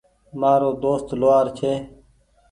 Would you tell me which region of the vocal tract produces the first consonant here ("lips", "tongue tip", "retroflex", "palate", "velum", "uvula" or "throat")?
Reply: lips